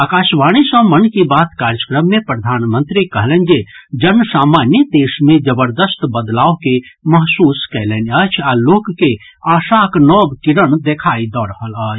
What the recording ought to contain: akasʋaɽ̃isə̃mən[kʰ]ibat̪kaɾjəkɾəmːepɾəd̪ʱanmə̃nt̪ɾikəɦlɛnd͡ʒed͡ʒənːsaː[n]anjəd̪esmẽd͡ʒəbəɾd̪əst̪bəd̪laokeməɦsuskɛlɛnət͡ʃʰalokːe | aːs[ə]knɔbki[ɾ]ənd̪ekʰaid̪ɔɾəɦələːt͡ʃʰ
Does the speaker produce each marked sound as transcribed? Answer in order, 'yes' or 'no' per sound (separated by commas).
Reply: no, no, no, yes